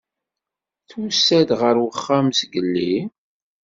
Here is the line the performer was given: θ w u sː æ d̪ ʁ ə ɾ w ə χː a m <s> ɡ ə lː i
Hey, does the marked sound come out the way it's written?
yes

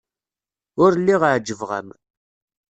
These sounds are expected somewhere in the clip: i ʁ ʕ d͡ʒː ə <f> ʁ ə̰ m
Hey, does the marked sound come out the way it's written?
no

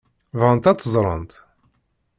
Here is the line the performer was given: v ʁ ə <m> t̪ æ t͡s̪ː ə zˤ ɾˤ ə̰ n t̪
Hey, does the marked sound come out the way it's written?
no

